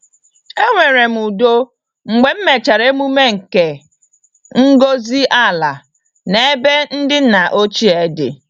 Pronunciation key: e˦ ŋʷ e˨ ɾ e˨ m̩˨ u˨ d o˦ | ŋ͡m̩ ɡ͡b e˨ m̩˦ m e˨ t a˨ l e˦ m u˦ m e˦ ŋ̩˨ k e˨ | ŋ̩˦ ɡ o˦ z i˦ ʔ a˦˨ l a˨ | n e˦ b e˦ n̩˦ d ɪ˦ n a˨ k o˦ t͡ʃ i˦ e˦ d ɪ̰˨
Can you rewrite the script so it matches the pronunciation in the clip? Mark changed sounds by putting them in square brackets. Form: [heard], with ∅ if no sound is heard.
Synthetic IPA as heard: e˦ ŋʷ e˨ ɾ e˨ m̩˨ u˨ d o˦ | ŋ͡m̩ ɡ͡b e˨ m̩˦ m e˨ [t͡ʃ] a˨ [ɾ] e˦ m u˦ m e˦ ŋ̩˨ k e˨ | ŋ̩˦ ɡ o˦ z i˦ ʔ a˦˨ l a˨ | n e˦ b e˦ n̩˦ d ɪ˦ n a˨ [ʔ] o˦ t͡ʃ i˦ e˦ d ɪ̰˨